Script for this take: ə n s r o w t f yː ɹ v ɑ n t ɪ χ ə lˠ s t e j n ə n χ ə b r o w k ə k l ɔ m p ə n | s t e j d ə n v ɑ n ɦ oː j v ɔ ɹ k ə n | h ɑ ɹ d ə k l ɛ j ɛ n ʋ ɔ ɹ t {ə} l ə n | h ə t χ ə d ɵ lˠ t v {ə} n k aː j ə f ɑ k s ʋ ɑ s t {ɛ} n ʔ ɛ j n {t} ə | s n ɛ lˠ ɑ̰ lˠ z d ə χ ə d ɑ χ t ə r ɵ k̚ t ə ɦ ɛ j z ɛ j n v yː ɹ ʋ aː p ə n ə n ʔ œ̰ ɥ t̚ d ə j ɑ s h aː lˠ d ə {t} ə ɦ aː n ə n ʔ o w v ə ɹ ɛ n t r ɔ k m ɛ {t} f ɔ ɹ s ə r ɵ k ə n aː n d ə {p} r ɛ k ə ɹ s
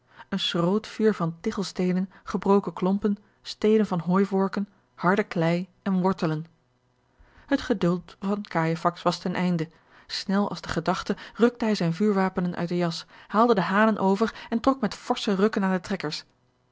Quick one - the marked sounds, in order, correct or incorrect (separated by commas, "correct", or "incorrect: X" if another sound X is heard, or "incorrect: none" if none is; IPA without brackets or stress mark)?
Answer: correct, incorrect: ɑ, correct, incorrect: d, incorrect: d, correct, incorrect: t